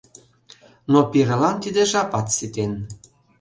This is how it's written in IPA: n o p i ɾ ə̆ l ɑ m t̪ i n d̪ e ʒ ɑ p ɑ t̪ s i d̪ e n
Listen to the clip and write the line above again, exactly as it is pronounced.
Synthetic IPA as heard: n o p i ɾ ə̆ l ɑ n t̪ i d̪ e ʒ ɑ p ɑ t̪ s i t̪ e n